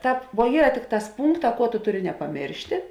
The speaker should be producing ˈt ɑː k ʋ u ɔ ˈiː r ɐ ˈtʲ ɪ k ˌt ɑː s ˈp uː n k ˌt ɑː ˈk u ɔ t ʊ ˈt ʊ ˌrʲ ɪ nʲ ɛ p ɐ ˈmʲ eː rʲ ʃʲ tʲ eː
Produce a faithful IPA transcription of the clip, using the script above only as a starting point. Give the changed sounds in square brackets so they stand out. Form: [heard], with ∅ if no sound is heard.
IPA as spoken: ˈt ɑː [p] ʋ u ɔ ˈiː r ɐ ˈtʲ ɪ k ˌt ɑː s ˈp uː [ŋ] k ˌt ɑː ˈk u ɔ t ʊ ˈt ʊ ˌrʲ ɪ nʲ ɛ p ɐ ˈmʲ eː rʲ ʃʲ tʲ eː